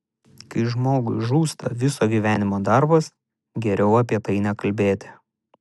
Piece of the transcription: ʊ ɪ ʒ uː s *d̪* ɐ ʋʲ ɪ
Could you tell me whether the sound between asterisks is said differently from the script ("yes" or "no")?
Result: yes